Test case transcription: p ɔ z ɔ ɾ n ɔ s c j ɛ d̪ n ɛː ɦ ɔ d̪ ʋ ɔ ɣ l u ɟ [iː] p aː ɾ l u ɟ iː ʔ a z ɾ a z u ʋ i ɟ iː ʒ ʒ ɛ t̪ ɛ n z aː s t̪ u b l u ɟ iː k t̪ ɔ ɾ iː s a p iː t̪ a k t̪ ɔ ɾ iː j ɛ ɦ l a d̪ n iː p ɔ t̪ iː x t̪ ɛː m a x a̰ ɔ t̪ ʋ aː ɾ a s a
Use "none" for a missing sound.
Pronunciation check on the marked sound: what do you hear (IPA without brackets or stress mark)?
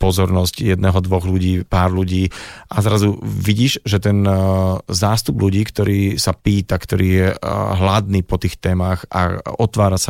iː